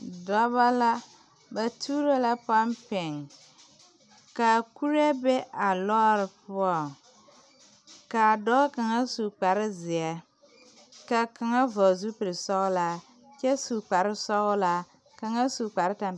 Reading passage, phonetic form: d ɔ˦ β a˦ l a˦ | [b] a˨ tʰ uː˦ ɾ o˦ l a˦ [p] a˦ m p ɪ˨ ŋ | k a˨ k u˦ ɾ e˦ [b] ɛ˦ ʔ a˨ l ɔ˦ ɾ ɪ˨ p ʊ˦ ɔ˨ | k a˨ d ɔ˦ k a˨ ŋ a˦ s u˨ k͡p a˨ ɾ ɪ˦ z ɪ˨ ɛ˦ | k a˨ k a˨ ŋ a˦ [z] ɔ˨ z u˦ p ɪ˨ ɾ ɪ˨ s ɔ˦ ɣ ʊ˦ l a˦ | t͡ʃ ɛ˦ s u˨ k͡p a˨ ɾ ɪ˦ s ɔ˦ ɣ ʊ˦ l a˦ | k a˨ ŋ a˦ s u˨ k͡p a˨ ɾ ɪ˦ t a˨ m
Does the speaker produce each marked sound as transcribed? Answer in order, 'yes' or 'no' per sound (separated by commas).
yes, yes, yes, no